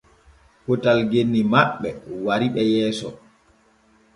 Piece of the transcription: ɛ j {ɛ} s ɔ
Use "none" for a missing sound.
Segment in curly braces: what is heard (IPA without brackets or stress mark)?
ɛː